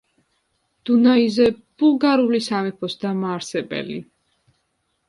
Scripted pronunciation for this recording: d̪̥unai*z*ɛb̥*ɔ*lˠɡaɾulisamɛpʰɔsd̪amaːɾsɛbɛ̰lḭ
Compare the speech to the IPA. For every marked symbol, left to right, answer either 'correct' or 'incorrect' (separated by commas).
correct, incorrect